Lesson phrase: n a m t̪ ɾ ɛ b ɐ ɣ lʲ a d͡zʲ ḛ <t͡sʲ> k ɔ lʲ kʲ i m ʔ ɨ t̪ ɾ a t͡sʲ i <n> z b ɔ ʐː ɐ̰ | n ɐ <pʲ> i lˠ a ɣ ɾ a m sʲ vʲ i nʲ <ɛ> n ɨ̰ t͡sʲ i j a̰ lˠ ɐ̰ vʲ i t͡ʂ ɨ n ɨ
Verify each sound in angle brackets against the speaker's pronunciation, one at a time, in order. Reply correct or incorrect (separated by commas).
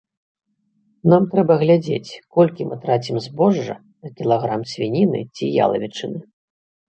correct, incorrect, incorrect, incorrect